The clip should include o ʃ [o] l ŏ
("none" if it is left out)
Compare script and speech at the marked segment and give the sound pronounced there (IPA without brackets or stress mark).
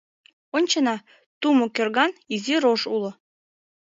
u